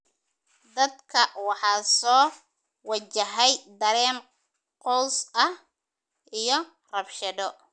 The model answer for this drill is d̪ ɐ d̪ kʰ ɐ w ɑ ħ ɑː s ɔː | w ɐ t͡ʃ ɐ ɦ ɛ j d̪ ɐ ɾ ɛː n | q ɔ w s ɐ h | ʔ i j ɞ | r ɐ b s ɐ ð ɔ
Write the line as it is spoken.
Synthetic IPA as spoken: d̪ ɐ d̪ kʰ ɐ w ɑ ħ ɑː s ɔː | w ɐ t͡ʃ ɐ ɦ ɛ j d̪ ɐ ɾ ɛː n | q ɔ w s ɐ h | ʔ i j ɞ | r ɐ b ʃ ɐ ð ɔ